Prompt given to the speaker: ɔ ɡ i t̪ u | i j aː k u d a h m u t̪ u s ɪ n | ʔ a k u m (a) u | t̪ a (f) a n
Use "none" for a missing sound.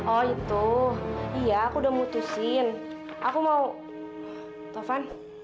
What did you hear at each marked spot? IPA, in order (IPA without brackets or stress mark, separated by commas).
a, f